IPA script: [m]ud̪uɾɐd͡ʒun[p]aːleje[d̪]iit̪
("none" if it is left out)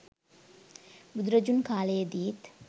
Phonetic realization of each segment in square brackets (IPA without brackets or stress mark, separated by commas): b, k, d̪